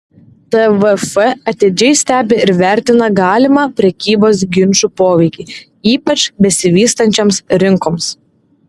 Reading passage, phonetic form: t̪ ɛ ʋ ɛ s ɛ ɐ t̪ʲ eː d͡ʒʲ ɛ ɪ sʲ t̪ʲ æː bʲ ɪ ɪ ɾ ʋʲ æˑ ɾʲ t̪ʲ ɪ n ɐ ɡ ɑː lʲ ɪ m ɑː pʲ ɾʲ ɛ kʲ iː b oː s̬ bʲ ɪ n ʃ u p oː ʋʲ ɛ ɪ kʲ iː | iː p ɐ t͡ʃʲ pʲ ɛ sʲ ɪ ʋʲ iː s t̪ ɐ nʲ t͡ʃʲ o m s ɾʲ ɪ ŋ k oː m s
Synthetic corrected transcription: t̪ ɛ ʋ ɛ f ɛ ɐ t̪ʲ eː d͡ʒʲ ɛ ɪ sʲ t̪ʲ æː bʲ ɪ ɪ ɾ ʋʲ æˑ ɾʲ t̪ʲ ɪ n ɐ ɡ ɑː lʲ ɪ m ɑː pʲ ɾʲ ɛ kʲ iː b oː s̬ ɡʲ ɪ n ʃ u p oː ʋʲ ɛ ɪ kʲ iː | iː p ɐ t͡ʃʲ bʲ ɛ sʲ ɪ ʋʲ iː s t̪ ɐ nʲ t͡ʃʲ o m s ɾʲ ɪ ŋ k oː m s